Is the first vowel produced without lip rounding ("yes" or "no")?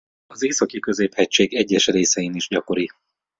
no